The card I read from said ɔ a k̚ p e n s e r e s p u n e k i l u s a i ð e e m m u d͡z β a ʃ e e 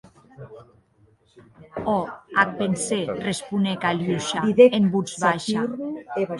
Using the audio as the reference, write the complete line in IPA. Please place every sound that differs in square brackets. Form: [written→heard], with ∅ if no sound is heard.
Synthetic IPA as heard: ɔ a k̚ p e n s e r e s p u n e k [i→a] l u [s→ʃ] a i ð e e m [m→b] u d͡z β a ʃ [e→a] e